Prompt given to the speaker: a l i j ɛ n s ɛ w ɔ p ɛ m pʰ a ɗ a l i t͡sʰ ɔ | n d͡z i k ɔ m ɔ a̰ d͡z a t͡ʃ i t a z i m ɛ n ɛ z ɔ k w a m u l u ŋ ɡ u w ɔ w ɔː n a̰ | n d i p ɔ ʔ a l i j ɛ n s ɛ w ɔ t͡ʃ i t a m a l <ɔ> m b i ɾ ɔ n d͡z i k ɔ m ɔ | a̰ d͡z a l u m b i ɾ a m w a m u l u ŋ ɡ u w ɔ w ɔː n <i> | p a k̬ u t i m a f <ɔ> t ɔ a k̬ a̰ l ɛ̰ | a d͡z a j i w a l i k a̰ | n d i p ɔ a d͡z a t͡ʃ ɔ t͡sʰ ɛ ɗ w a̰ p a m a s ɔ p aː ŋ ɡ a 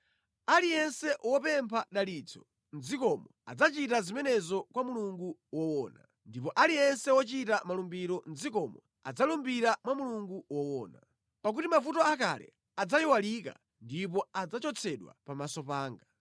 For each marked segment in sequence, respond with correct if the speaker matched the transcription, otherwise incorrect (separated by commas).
incorrect, incorrect, incorrect